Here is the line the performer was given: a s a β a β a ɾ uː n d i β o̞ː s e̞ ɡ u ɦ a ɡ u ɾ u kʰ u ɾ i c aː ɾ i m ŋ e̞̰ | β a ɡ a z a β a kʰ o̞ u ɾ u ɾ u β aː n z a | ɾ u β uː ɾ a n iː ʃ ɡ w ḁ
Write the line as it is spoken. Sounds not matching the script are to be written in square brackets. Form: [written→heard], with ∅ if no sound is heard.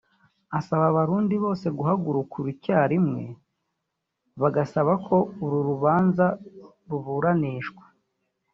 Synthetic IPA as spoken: a s a β a β a ɾ uː n d i β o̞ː s e̞ ɡ u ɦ a ɡ u ɾ u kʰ u ɾ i c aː ɾ i m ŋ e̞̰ | β a ɡ a [z→s] a β a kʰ o̞ u ɾ u ɾ u β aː n z a | ɾ u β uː ɾ a n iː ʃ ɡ w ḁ